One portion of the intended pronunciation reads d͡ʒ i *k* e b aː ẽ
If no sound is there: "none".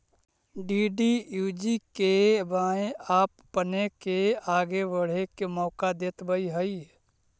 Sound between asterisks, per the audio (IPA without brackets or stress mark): k